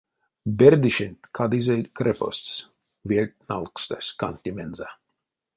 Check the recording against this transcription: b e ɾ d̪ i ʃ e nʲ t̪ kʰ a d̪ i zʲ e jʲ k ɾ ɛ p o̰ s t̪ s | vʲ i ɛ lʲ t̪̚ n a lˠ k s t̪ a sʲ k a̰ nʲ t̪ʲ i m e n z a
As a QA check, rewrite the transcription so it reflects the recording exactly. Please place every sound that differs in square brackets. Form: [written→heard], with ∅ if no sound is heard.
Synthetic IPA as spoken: b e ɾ d̪ i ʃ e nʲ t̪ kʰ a d̪ i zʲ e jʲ k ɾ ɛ p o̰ s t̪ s | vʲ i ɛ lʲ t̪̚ n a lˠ k s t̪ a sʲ k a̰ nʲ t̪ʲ i m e n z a